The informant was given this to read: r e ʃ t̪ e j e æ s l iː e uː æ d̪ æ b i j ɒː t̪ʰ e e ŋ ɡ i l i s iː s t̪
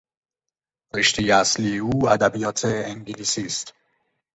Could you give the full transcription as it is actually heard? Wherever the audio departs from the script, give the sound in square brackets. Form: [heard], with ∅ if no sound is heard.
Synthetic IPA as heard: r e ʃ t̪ e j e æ s l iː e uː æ d̪ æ b i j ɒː t̪ʰ e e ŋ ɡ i l i s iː s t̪